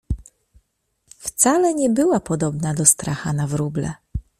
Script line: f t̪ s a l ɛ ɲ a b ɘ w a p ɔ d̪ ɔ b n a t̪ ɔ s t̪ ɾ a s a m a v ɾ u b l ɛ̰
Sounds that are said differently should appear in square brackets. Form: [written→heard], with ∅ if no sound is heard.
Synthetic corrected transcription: f t̪ s a l ɛ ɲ [a→ɛ] b ɘ w a p ɔ d̪ ɔ b n a [t̪→d̪] ɔ s t̪ ɾ a [s→x] a [m→n] a v ɾ u b l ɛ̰